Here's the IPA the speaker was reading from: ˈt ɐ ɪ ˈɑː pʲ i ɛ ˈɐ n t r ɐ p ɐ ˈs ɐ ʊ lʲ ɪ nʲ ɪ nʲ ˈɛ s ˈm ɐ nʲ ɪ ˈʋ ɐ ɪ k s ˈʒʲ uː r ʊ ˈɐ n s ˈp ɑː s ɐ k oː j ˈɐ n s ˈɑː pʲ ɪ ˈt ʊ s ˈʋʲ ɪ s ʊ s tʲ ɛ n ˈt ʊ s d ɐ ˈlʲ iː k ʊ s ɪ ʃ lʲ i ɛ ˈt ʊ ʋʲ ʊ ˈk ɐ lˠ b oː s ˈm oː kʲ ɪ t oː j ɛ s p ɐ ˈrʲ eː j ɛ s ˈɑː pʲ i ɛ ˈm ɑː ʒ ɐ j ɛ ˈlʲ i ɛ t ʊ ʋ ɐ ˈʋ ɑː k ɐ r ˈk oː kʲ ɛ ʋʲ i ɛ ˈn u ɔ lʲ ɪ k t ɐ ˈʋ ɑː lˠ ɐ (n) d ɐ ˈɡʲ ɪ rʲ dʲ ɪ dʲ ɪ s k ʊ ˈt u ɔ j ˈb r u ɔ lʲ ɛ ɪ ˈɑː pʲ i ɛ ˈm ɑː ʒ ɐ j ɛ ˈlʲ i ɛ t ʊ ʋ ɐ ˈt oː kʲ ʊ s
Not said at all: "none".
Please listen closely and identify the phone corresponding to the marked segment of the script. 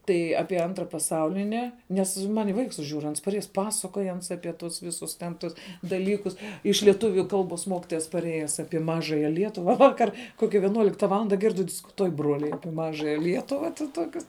n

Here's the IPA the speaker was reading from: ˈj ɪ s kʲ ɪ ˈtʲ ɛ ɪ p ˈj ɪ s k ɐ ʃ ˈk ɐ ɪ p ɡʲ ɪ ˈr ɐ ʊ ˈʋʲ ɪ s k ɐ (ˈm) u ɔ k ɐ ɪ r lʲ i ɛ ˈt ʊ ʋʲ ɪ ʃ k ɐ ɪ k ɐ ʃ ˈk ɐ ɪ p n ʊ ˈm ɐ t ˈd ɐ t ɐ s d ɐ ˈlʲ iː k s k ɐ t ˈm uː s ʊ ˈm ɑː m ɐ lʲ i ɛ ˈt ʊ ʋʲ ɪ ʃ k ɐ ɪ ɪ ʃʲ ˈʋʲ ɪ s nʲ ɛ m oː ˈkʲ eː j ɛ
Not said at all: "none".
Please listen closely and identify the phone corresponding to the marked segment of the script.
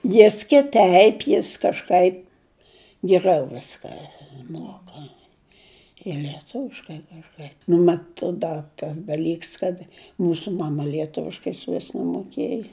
m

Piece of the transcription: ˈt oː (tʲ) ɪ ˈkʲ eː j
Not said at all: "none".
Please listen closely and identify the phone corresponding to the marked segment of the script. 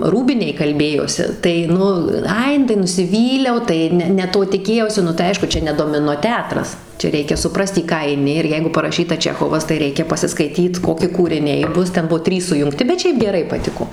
tʲ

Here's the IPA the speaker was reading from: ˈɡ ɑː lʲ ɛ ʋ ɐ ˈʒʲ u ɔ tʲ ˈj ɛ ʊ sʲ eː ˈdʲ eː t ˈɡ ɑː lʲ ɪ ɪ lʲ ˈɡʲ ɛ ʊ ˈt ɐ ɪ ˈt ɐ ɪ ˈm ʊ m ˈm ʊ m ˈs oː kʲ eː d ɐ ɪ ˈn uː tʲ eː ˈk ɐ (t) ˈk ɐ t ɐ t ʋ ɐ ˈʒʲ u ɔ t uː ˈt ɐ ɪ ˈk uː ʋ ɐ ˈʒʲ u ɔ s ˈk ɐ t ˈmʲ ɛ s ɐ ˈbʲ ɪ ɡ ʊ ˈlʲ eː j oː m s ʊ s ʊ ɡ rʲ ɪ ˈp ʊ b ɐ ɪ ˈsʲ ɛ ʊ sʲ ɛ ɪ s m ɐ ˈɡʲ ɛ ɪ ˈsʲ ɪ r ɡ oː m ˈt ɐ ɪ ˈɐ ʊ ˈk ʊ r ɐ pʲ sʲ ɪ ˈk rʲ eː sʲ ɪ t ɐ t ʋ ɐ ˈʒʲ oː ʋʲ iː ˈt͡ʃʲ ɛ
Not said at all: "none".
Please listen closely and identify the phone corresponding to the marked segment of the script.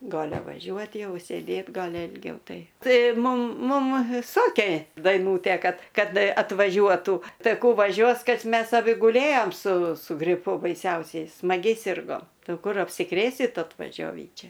t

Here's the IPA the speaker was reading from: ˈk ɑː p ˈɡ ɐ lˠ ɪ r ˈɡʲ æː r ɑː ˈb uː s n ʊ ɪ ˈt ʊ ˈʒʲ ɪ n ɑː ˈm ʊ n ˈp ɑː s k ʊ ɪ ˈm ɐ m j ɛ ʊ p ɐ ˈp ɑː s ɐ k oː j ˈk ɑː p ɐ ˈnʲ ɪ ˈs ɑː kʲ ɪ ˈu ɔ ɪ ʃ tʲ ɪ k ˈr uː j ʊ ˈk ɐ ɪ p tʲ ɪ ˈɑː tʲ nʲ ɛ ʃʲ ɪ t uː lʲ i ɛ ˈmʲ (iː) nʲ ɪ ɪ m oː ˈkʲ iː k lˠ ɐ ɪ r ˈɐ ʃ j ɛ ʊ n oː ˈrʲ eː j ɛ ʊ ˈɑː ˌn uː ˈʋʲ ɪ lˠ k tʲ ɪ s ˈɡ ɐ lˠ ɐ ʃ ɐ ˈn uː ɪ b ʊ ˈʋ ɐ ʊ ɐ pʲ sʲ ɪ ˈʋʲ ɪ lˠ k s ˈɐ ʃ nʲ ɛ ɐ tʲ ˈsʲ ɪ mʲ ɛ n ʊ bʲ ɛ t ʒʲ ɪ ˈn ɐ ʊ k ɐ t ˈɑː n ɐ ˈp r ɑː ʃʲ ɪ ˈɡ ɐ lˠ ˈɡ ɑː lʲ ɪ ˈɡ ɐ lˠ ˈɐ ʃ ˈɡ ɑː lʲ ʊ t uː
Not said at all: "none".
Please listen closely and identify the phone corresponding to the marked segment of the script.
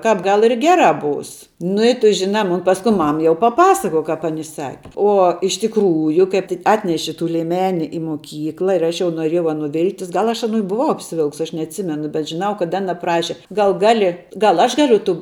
æː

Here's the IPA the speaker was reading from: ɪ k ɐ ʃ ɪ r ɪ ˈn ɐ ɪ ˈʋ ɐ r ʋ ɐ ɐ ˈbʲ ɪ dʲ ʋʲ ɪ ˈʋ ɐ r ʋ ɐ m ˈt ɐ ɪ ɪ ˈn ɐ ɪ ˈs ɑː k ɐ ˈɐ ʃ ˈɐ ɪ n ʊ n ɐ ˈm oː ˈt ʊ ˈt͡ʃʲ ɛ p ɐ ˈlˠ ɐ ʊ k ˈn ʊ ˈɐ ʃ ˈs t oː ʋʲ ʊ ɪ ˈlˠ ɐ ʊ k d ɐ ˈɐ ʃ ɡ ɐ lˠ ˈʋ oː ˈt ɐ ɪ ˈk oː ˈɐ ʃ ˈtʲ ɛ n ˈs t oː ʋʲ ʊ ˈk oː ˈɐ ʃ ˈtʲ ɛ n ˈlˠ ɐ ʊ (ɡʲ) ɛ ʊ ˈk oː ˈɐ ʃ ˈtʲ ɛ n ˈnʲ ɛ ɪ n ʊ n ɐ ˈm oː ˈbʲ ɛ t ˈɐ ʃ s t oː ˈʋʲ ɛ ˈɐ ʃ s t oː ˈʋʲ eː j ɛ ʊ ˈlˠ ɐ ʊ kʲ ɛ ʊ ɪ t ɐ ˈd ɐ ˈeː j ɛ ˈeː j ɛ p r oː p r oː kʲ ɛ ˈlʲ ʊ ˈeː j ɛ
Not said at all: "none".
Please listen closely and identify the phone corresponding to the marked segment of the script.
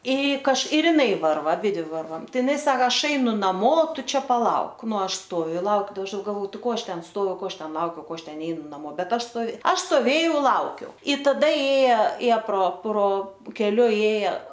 kʲ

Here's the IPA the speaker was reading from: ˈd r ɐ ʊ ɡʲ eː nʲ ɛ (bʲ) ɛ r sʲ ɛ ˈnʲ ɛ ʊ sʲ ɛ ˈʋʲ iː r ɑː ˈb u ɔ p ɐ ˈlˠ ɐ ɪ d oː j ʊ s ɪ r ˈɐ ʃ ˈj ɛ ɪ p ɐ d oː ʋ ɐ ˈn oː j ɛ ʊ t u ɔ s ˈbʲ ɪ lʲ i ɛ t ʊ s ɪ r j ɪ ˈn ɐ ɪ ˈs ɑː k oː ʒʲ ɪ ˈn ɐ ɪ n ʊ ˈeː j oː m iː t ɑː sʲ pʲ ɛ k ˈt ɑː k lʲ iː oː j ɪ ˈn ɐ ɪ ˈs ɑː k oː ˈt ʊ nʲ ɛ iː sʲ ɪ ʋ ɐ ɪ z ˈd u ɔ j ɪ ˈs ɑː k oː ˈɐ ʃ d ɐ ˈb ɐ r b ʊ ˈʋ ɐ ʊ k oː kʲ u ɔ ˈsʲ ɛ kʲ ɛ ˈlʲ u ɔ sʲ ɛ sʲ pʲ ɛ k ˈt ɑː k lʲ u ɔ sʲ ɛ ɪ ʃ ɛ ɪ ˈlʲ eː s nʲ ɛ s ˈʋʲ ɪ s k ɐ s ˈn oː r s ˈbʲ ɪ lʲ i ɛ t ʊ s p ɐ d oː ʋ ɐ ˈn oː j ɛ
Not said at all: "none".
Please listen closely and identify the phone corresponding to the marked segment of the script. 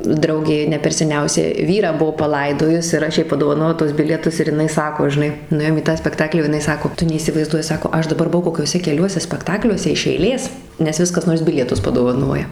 pʲ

